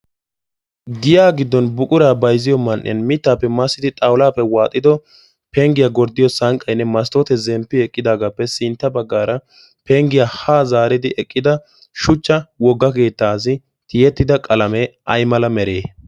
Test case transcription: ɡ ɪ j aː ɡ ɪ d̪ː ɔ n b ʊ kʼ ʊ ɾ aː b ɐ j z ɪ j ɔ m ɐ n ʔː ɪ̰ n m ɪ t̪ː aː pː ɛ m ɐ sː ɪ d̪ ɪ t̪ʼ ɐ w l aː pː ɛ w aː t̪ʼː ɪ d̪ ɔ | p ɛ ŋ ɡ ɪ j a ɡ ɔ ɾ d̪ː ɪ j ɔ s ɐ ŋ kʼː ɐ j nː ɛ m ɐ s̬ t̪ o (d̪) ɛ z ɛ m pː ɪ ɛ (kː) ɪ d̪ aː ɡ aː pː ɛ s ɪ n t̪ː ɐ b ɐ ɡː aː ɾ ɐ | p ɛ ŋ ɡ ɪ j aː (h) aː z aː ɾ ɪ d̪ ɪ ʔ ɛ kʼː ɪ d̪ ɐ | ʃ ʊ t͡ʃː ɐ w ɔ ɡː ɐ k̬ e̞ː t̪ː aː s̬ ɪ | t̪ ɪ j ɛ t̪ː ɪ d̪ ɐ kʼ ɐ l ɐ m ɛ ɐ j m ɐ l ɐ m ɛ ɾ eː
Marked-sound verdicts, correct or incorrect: incorrect: t̪, incorrect: kʼː, correct

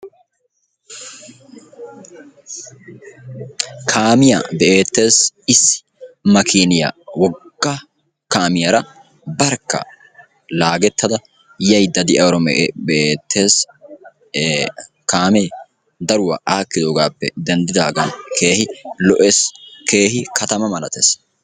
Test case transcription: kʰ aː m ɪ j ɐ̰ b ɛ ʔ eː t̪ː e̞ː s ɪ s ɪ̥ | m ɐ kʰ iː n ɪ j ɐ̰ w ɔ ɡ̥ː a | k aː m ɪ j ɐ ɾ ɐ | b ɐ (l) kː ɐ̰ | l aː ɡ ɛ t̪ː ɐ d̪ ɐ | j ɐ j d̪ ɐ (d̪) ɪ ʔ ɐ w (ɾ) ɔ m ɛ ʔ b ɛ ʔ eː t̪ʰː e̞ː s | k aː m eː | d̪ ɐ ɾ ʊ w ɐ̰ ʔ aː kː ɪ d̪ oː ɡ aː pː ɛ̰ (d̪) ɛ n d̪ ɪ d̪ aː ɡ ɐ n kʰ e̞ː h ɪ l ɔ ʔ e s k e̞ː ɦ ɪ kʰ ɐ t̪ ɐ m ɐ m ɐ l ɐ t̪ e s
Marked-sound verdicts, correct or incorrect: incorrect: ɾ, correct, correct, correct

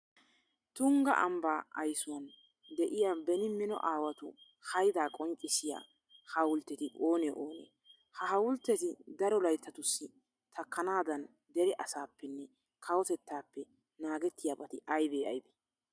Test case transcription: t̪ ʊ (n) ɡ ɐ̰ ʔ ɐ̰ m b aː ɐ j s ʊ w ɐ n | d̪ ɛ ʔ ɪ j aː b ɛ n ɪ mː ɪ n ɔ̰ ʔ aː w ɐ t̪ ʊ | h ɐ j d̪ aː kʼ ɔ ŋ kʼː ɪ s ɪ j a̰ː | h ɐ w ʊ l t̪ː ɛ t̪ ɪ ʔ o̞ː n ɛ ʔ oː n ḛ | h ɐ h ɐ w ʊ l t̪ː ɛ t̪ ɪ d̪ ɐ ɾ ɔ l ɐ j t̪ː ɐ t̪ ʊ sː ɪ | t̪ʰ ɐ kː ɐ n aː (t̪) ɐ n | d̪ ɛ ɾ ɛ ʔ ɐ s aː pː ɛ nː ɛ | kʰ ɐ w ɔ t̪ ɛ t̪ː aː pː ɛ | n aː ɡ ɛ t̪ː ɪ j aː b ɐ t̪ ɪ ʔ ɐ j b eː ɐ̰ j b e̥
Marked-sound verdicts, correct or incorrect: incorrect: ŋ, incorrect: d̪

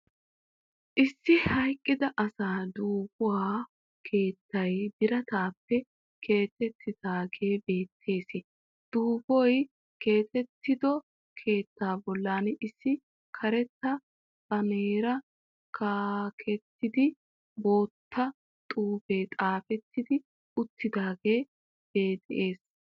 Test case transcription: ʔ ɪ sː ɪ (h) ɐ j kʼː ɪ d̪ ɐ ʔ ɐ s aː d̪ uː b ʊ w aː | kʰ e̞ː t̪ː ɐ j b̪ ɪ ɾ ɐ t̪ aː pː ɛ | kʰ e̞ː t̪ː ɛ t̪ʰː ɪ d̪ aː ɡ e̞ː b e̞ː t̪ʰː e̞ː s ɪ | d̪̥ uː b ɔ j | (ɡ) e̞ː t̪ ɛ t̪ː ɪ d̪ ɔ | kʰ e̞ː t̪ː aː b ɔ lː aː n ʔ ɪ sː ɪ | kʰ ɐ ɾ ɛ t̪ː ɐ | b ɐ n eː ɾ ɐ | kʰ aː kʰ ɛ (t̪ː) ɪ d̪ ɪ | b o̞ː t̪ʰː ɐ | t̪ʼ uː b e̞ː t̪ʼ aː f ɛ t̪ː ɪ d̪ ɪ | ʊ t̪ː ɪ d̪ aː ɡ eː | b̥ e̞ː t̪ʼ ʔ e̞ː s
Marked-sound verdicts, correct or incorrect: correct, incorrect: k, correct

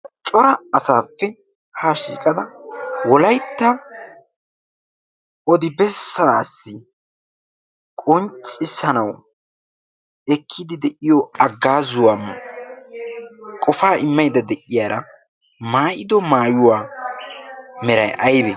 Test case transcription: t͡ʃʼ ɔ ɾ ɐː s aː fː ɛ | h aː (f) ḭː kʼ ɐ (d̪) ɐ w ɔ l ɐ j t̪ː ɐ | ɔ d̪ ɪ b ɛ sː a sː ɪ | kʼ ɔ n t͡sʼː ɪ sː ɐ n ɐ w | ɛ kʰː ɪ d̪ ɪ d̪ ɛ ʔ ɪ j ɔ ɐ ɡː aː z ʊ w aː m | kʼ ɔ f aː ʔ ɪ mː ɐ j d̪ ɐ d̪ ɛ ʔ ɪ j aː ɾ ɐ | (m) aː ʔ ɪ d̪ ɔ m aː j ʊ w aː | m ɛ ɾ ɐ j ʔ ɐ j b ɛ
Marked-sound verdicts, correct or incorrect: incorrect: ʃ, correct, correct

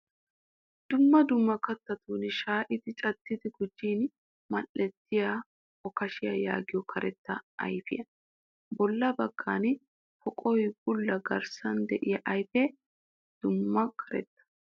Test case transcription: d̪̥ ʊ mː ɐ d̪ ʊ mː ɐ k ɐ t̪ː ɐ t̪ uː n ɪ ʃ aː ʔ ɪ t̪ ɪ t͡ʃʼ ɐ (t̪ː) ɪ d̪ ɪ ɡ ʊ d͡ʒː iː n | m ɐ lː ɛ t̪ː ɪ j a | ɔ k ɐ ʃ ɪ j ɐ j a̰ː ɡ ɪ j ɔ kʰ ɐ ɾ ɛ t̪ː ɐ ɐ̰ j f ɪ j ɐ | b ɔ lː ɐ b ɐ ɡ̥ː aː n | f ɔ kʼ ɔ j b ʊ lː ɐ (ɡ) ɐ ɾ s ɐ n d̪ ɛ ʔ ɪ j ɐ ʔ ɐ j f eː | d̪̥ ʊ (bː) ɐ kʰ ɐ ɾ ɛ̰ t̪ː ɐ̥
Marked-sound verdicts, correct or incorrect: correct, correct, incorrect: mː

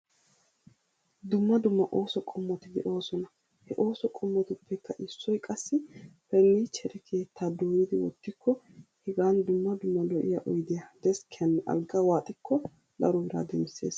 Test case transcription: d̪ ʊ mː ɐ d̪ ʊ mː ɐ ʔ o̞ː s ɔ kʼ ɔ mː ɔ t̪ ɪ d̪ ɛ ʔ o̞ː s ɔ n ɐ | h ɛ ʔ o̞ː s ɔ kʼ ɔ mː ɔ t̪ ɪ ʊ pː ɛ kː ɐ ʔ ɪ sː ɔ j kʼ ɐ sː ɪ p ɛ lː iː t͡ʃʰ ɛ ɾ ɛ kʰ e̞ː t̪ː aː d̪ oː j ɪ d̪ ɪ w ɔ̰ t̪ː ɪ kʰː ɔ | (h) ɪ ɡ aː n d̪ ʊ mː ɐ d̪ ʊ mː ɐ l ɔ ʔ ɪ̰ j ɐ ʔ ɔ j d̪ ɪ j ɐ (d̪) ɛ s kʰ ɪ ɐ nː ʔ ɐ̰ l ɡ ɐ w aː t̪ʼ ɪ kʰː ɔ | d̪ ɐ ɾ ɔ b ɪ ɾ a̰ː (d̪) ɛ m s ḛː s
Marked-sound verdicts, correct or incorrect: correct, correct, correct

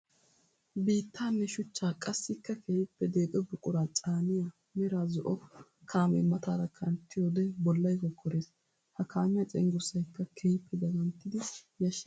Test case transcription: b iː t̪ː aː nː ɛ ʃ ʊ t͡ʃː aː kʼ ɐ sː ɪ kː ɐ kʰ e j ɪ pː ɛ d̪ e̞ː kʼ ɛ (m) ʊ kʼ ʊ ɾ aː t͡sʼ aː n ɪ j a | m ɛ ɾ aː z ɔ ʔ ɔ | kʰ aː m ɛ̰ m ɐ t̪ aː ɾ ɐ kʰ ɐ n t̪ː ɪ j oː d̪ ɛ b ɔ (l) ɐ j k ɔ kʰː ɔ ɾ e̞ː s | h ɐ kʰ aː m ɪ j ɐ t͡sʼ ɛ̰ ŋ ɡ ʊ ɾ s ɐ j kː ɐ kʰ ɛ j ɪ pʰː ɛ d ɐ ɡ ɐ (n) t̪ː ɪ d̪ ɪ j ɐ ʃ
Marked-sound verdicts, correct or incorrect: incorrect: b, incorrect: lː, correct

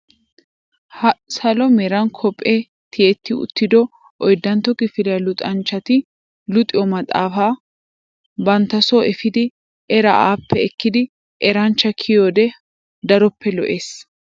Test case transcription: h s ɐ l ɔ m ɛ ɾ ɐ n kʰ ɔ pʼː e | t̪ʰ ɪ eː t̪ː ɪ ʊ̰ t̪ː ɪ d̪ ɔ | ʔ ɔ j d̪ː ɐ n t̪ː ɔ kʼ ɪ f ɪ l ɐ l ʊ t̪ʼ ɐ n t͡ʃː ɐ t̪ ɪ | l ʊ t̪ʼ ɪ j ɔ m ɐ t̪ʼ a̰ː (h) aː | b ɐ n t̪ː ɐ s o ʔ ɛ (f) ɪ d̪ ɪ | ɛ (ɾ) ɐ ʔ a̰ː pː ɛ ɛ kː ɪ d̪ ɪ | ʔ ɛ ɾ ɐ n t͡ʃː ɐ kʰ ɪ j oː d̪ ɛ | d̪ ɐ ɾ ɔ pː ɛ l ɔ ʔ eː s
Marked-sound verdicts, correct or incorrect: incorrect: f, correct, correct

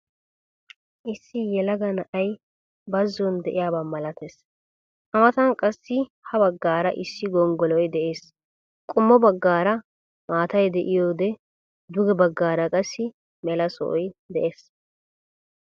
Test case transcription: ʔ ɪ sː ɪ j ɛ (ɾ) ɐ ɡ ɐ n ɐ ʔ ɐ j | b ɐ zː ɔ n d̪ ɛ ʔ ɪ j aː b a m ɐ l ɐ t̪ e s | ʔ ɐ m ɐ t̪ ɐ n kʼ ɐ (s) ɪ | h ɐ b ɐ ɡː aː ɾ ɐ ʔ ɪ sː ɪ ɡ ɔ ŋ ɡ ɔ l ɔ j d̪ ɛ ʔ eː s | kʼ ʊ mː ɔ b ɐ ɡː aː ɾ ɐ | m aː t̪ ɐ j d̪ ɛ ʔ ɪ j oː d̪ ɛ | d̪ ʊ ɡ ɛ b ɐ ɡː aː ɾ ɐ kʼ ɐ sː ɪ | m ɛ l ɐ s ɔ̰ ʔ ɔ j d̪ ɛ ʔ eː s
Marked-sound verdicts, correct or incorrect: incorrect: l, incorrect: sː

